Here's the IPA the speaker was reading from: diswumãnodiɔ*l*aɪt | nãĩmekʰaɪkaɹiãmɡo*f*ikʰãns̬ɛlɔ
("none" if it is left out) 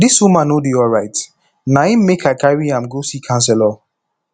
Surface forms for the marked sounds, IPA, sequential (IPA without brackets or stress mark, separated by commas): ɹ, s